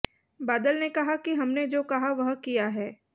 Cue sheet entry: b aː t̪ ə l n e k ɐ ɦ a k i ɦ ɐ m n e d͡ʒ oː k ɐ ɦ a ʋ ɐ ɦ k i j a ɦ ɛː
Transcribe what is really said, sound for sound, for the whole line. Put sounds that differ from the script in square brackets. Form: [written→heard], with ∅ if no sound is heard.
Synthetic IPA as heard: b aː [t̪→d̪] ə l n e k ɐ ɦ a k i ɦ ɐ m n e d͡ʒ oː k ɐ ɦ a ʋ ɐ ɦ k i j a ɦ ɛː

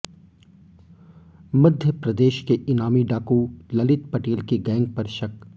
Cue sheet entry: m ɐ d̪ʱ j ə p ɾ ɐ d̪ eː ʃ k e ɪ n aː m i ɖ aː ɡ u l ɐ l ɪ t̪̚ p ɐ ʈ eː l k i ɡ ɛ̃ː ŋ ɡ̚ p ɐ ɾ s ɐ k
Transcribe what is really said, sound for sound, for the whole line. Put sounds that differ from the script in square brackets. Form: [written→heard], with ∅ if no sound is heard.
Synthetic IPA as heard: m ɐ d̪ʱ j ə p ɾ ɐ d̪ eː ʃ k e ɪ n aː m i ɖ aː [ɡ→k] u l ɐ l ɪ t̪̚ p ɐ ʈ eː l k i ɡ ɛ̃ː ŋ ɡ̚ p ɐ ɾ [s→ʃ] ɐ k

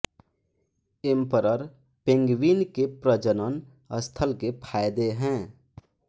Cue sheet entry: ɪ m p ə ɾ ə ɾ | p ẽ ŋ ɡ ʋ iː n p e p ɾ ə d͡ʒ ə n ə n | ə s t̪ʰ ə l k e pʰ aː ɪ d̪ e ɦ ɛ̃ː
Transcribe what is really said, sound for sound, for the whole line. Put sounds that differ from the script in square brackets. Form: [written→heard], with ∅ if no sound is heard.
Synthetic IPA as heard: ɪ m p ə ɾ ə ɾ | p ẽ ŋ ɡ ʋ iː n [p→k] e p ɾ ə d͡ʒ ə n ə n | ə s t̪ʰ ə l k e pʰ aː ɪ d̪ e ɦ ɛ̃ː

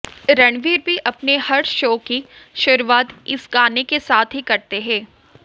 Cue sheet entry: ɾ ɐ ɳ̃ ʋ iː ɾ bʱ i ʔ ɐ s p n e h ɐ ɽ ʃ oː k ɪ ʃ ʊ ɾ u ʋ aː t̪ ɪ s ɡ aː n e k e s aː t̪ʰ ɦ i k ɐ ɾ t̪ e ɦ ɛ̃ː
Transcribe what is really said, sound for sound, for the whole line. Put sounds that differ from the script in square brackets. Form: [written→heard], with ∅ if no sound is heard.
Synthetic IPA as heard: ɾ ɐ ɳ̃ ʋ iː ɾ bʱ i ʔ ɐ [s→∅] p n e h ɐ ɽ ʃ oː k [ɪ→i] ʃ ʊ ɾ u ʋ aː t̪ ɪ s ɡ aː n e k e s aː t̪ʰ ɦ i k ɐ ɾ t̪ e ɦ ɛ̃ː

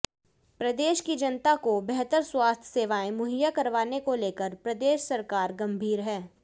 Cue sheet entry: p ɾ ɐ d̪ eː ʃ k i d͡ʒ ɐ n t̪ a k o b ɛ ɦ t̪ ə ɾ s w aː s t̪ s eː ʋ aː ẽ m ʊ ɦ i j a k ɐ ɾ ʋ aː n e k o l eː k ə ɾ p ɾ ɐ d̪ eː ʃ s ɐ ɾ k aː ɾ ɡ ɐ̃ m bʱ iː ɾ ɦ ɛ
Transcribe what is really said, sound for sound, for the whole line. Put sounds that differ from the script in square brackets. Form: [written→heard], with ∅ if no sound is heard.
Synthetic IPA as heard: p ɾ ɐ d̪ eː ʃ k i d͡ʒ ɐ n t̪ a k o b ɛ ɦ t̪ ə ɾ s w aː s [t̪→t̪ʰ] s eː ʋ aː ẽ m ʊ ɦ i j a k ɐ ɾ ʋ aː n e k o l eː k ə ɾ p ɾ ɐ d̪ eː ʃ s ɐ ɾ k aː ɾ ɡ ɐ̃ m bʱ iː ɾ ɦ [ɛ→ɛː]

